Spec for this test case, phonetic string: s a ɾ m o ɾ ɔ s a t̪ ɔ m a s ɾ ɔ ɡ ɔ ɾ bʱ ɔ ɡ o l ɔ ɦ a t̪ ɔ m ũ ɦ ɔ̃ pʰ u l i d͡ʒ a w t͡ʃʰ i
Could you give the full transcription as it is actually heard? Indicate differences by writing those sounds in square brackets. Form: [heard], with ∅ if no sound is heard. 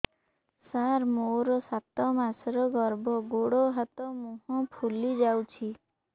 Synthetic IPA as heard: s a ɾ m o ɾ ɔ s a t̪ ɔ m a s ɾ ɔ ɡ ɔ ɾ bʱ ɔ ɡ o [ɽ] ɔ ɦ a t̪ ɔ m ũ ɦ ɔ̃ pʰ u l i d͡ʒ a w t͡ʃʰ i